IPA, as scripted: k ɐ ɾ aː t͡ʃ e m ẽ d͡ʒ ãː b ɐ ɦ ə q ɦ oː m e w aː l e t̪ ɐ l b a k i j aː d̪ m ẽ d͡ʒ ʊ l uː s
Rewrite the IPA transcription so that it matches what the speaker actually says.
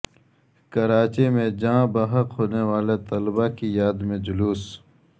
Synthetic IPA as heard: k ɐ ɾ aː t͡ʃ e m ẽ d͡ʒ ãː b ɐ ɦ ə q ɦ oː n e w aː l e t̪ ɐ l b a k i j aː d̪ m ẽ d͡ʒ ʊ l uː s